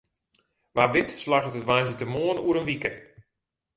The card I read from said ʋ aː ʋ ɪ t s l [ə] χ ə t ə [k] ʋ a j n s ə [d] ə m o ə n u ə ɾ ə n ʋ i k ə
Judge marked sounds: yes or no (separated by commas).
no, no, no